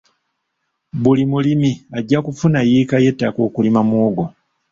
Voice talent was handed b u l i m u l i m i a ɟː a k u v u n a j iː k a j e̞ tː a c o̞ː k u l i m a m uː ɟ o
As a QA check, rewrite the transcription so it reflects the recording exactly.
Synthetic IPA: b u l i m u l i m i a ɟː a k u f u n a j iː k a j e̞ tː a k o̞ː k u l i m a m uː ɡ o